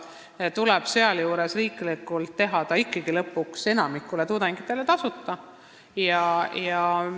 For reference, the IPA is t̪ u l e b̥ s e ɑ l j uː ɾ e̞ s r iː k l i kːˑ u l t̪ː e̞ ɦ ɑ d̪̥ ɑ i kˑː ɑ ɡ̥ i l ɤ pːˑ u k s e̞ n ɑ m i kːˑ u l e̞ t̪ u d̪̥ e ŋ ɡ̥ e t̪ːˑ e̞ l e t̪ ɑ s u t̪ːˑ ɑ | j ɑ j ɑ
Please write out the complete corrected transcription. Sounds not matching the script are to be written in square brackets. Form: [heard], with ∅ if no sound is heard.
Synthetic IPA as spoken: t̪ u l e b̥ s e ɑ l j uː ɾ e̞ s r iː k l i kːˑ u l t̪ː e̞ ɦ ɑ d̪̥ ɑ i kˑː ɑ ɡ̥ i l ɤ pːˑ u k s e̞ n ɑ m i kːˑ u l e̞ t̪ u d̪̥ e ŋ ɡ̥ [i] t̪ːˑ e̞ l e t̪ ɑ s u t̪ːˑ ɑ | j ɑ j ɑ